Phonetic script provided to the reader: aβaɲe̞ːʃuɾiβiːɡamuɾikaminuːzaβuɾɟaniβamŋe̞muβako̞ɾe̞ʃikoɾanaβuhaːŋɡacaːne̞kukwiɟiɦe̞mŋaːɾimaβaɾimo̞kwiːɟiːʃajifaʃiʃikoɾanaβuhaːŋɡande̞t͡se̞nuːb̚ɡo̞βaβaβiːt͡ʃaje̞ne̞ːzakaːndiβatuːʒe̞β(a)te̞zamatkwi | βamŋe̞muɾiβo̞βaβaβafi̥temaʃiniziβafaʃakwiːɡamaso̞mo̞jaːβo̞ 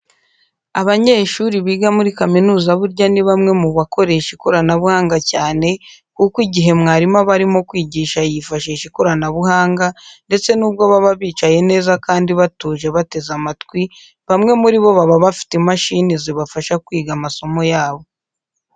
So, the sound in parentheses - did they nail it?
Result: yes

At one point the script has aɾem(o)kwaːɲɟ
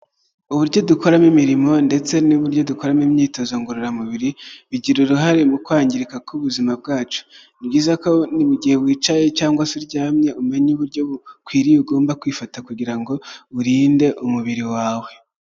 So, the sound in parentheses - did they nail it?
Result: no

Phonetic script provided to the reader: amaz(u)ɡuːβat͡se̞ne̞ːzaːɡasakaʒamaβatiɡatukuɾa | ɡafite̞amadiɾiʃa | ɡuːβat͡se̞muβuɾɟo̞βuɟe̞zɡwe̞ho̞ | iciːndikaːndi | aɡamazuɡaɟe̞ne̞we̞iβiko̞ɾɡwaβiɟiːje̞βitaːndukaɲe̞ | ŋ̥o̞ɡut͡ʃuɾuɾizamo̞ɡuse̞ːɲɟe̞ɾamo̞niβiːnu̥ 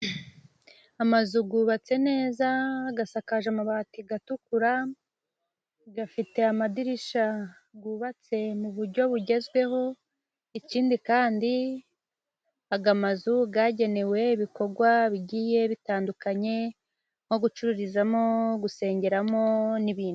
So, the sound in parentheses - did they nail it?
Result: yes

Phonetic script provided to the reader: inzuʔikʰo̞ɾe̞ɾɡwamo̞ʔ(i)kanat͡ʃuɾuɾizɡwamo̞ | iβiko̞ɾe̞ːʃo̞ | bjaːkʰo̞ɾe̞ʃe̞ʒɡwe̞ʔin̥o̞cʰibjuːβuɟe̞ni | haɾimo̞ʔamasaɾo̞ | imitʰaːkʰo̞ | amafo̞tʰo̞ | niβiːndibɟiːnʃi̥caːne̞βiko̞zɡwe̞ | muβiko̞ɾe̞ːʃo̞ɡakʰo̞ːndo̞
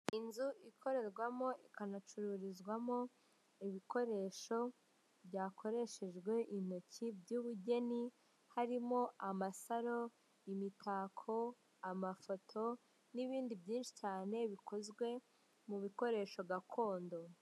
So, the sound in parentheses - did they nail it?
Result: yes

